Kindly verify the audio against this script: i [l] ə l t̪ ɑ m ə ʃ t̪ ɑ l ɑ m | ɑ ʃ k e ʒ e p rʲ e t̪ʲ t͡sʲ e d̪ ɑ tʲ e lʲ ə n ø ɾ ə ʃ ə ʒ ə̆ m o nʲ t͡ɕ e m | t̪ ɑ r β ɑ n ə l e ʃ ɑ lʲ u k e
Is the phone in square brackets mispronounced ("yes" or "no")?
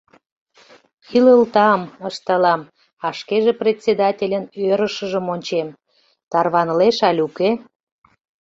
no